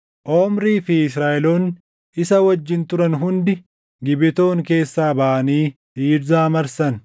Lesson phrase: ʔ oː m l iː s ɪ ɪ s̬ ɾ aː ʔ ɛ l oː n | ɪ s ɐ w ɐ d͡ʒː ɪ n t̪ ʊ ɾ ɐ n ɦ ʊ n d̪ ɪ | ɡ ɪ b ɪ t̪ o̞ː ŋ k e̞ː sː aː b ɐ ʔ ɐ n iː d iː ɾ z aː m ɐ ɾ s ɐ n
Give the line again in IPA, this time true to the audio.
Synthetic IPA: ʔ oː m ɾ iː f ɪ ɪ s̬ ɾ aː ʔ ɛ l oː n | ɪ s ɐ w ɐ d͡ʒː ɪ n t̪ ʊ ɾ ɐ n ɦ ʊ n d̪ ɪ | ɡ ɪ b ɪ t̪ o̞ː ŋ k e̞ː sː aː b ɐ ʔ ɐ n iː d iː ɾ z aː m ɐ ɾ s ɐ n